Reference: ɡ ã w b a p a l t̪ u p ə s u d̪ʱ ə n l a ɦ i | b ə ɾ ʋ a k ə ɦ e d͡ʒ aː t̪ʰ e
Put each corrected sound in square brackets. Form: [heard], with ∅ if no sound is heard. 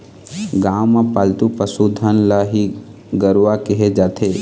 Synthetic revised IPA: ɡ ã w [m] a p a l t̪ u p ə s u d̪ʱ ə n l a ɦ i | [ɡ] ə ɾ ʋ a k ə ɦ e d͡ʒ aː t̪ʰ e